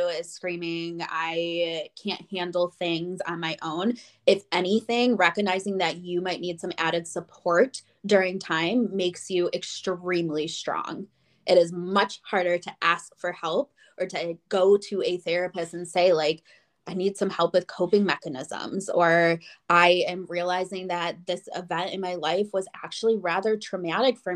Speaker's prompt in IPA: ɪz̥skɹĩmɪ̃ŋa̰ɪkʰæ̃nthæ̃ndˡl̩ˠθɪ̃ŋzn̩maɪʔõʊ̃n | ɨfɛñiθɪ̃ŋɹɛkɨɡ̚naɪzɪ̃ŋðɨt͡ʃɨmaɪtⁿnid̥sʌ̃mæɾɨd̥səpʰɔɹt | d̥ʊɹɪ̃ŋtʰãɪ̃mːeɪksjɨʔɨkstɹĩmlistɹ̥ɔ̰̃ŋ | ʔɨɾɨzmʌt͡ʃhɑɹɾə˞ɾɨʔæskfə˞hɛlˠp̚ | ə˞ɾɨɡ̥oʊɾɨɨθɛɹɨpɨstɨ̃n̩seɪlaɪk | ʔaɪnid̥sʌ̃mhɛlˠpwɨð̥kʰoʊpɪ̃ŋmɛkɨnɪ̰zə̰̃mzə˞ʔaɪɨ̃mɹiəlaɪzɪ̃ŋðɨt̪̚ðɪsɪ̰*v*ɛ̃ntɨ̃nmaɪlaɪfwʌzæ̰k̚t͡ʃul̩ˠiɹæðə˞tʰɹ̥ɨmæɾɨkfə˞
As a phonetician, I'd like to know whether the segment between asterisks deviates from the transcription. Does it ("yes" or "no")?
no